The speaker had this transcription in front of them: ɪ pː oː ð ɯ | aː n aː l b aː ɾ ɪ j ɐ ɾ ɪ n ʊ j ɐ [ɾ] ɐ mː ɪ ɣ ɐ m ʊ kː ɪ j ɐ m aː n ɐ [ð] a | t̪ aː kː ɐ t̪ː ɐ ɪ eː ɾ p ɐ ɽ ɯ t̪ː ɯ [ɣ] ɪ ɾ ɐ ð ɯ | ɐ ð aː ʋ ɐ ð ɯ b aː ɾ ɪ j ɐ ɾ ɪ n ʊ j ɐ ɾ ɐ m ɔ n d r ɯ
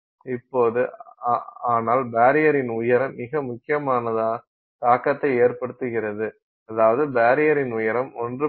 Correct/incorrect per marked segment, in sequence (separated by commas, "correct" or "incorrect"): correct, correct, correct